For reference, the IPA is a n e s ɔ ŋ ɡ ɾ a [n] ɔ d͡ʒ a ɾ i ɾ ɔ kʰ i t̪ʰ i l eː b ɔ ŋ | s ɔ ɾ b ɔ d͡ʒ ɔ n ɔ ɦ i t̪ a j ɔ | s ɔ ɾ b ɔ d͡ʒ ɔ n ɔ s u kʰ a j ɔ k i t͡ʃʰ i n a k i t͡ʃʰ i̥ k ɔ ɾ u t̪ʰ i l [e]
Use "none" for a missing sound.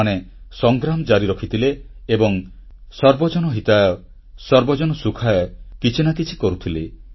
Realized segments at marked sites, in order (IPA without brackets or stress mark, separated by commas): m, e